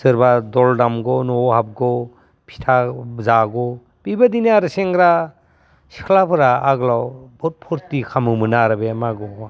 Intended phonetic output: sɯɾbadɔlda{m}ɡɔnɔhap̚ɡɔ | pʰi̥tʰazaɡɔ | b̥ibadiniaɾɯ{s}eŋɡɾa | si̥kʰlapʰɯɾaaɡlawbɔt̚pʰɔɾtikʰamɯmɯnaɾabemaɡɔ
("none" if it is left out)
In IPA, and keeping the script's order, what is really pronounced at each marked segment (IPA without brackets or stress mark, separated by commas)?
m, s